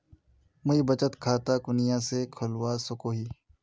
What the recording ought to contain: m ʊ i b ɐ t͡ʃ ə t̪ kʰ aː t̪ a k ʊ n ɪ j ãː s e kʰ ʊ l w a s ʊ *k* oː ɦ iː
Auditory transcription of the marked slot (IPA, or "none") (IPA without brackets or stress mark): k